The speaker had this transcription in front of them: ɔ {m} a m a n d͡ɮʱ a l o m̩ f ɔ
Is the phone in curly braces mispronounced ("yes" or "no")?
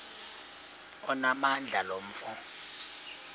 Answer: yes